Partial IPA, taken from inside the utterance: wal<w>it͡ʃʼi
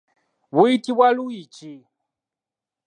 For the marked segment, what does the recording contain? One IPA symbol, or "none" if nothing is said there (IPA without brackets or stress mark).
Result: u